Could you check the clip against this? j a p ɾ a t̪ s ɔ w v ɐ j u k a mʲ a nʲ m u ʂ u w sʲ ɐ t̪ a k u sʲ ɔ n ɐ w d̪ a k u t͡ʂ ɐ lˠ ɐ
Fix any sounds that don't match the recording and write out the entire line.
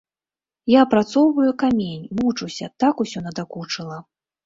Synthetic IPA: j a p ɾ a t̪ s ɔ w v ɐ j u k a mʲ e nʲ m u t͡ʂ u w sʲ ɐ t̪ a k u sʲ ɔ n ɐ d̪ a k u t͡ʂ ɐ lˠ ɐ